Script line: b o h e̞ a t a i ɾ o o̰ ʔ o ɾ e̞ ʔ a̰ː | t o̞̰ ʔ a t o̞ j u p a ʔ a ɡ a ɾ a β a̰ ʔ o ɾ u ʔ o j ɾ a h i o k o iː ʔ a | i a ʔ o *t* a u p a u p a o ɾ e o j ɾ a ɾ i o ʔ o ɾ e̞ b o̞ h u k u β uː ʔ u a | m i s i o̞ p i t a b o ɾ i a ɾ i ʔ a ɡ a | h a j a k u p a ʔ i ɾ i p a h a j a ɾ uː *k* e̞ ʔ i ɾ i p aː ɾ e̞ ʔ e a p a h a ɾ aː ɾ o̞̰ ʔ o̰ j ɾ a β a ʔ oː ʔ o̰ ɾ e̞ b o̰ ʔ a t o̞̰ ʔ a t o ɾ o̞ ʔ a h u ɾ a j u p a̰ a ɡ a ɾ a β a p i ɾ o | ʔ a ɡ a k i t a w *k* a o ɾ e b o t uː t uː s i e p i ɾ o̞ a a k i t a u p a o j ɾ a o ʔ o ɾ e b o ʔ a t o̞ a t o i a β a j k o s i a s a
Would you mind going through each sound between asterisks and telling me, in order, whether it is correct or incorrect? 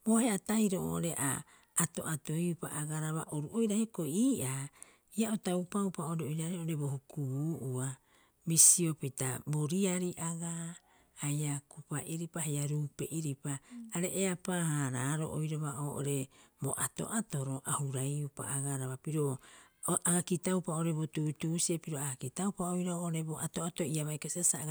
correct, incorrect, incorrect

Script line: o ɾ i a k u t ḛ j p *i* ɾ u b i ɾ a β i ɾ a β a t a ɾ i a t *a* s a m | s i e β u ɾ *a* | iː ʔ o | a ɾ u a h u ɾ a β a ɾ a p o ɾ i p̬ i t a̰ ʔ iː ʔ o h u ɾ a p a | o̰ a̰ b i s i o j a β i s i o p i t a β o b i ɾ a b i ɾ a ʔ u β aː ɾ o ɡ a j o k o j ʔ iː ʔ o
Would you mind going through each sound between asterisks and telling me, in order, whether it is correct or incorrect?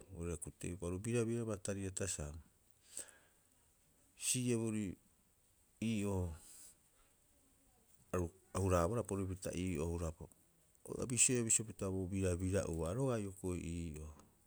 incorrect, correct, incorrect

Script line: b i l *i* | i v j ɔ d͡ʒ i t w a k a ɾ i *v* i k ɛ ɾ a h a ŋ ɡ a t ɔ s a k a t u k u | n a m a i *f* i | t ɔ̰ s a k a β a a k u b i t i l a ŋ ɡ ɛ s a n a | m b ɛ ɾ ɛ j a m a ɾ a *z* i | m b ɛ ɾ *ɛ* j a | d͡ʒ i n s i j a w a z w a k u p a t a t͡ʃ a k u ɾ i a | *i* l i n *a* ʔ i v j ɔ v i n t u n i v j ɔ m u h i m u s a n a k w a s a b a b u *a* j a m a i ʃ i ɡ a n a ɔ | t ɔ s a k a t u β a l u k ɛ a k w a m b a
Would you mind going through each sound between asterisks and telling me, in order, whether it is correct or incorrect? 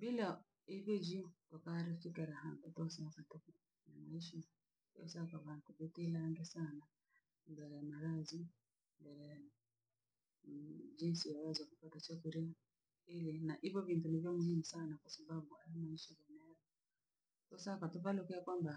incorrect, incorrect, incorrect, correct, correct, correct, correct, correct

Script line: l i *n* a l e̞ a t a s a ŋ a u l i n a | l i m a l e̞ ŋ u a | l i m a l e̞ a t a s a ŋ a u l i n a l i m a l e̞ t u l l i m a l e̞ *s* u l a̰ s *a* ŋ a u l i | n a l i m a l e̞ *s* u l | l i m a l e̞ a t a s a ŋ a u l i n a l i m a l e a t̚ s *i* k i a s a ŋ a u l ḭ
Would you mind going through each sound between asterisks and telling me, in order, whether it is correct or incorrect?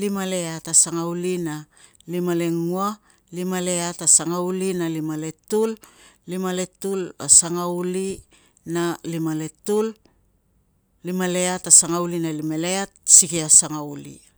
incorrect, incorrect, correct, incorrect, correct

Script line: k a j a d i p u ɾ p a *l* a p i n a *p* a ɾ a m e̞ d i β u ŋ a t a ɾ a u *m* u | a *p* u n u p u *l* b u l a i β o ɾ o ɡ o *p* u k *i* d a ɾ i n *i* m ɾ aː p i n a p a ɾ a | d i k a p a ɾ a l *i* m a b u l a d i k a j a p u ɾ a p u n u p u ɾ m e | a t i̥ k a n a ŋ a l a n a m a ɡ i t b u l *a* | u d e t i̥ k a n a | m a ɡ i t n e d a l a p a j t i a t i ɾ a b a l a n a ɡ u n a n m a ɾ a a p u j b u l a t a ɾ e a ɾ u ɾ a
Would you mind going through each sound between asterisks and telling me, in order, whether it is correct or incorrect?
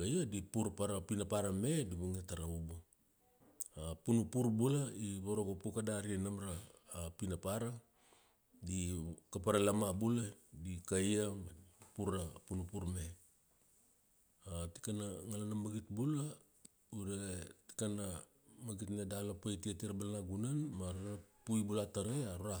incorrect, correct, incorrect, correct, incorrect, correct, incorrect, incorrect, incorrect, correct

